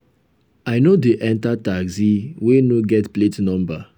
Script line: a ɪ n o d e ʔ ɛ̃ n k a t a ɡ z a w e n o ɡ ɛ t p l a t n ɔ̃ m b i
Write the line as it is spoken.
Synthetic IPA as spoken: a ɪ n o d e ʔ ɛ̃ n t a t a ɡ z i w e n o ɡ ɛ t p l e t n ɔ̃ m b a